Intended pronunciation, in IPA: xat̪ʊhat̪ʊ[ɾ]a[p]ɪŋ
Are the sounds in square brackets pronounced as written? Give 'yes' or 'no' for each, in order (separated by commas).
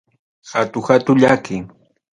no, no